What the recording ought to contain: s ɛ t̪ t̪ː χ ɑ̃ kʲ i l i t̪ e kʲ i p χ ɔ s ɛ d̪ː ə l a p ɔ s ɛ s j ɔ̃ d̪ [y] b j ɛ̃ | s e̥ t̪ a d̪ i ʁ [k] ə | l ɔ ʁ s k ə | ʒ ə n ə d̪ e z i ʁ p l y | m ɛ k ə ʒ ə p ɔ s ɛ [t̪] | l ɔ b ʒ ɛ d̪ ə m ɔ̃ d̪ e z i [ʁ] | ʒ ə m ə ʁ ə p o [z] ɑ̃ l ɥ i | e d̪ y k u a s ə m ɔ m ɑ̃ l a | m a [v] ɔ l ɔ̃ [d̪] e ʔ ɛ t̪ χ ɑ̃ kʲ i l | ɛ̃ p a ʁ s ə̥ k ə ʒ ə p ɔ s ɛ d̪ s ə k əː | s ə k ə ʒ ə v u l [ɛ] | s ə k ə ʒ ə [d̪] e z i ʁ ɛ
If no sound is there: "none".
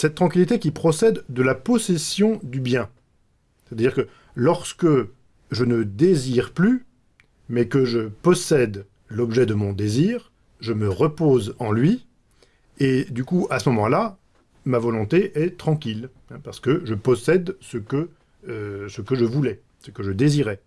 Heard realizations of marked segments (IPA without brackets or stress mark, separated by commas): y, k, d̪, ʁ, z, v, t̪, ɛ, d̪